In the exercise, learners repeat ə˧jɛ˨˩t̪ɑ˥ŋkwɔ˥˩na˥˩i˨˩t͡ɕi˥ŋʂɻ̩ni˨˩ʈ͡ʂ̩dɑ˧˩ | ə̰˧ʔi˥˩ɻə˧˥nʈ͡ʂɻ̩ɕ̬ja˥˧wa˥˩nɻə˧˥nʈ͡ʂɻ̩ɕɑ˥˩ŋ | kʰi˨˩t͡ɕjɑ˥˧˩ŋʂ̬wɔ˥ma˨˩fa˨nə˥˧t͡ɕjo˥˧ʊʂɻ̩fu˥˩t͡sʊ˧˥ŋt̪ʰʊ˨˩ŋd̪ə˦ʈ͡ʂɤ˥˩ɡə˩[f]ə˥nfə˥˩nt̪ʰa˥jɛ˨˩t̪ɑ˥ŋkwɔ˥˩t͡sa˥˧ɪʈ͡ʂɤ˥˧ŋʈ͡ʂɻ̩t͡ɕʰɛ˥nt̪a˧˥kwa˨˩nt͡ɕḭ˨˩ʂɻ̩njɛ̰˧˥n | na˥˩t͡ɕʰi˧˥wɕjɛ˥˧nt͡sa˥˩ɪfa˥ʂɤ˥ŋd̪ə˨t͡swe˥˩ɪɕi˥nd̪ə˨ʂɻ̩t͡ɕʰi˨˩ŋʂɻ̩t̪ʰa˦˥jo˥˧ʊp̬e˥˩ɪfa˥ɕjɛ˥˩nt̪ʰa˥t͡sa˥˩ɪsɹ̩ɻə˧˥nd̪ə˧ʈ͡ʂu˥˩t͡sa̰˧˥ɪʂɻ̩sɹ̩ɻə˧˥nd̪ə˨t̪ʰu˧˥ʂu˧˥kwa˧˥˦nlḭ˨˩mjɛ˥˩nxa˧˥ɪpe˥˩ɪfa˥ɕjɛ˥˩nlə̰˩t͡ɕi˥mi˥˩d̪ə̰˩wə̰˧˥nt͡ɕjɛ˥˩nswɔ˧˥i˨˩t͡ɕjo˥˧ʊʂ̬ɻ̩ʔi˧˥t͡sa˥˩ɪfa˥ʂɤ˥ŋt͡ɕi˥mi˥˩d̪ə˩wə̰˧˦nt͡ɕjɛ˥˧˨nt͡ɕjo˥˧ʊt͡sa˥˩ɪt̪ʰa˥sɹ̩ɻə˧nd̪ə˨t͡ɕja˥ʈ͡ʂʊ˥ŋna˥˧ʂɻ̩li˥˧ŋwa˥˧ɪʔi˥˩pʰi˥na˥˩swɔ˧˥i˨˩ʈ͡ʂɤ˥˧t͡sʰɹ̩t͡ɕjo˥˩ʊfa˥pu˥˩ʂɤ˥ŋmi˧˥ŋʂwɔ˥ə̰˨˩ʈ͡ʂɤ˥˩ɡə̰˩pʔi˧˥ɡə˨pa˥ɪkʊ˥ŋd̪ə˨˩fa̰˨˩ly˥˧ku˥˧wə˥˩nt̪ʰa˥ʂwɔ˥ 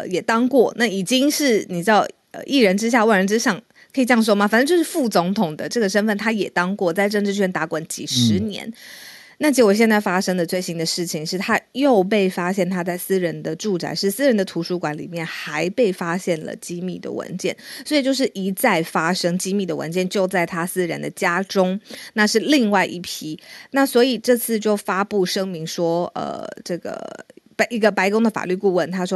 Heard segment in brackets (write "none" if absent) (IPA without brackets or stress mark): ʂ